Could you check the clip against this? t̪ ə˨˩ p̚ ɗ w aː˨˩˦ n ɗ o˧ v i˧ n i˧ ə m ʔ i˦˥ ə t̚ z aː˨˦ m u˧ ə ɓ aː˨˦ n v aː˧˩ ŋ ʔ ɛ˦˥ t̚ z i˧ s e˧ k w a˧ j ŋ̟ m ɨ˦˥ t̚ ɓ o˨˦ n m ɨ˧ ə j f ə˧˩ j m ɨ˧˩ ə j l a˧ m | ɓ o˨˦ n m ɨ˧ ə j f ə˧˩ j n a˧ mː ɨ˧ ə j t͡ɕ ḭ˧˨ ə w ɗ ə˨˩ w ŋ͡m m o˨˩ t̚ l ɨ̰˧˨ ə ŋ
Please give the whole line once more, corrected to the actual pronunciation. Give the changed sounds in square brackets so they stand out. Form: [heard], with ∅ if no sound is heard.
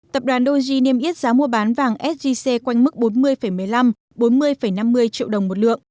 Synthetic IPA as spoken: t̪ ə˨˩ p̚ ɗ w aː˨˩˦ n ɗ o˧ [z] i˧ n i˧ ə m ʔ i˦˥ ə t̚ z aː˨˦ m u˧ ə ɓ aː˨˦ n v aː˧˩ ŋ ʔ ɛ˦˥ t̚ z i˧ s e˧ k w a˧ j ŋ̟ m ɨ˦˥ [k̚] ɓ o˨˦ n m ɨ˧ ə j f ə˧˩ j m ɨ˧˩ ə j l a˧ m | ɓ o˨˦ n m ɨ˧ ə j f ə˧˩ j n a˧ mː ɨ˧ ə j t͡ɕ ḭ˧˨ ə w ɗ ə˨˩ w ŋ͡m m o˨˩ t̚ l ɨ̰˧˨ ə ŋ